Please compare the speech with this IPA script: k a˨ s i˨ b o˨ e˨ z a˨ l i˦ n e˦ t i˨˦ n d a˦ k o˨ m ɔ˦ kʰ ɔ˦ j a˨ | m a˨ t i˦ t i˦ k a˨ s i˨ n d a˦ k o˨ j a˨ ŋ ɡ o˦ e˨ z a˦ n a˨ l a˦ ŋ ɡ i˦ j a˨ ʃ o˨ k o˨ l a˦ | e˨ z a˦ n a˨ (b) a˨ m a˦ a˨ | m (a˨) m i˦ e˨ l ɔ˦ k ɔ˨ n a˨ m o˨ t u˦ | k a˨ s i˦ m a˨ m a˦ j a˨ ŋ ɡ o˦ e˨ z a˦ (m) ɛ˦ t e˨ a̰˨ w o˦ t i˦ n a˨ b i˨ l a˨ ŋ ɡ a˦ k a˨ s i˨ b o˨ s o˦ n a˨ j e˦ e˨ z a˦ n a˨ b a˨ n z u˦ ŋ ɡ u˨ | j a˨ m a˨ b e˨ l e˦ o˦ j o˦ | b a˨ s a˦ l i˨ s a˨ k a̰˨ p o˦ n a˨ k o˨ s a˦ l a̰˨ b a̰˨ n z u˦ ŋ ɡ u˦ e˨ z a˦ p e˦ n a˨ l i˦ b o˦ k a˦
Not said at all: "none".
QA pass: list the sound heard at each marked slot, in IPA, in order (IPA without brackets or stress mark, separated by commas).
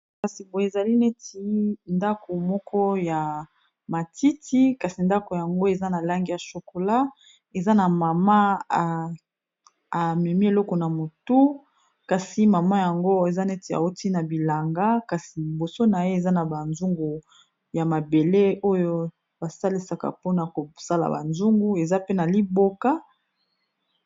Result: m, ɛ˨, n